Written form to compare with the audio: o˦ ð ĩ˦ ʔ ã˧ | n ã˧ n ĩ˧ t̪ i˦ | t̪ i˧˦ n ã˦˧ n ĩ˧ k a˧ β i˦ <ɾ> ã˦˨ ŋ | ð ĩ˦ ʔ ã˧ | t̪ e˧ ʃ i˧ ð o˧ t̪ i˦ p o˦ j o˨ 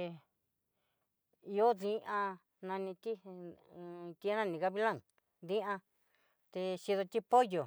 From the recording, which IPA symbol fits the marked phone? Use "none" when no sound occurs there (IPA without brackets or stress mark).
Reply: l